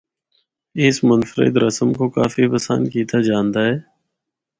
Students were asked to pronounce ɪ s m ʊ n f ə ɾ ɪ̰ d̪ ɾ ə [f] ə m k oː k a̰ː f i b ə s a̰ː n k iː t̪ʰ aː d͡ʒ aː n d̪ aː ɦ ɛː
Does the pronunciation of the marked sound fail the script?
yes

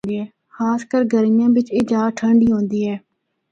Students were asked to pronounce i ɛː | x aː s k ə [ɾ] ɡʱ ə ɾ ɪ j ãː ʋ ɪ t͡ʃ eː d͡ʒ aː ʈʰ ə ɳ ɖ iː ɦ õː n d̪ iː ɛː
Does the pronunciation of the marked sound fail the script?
no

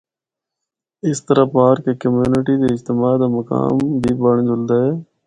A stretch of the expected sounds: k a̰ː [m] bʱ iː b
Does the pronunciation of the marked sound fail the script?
no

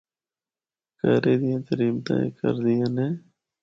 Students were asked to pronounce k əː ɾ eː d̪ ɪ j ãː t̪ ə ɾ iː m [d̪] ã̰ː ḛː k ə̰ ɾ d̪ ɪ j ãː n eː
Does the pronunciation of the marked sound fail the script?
yes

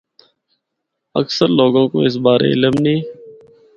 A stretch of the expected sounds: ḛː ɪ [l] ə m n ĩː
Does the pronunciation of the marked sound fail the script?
no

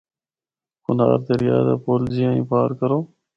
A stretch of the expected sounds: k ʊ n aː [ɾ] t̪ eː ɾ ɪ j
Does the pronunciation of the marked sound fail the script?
no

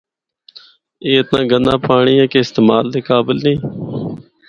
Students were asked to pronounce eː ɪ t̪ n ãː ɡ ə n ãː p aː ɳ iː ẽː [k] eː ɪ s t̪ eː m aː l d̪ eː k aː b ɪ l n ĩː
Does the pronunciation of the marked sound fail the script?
no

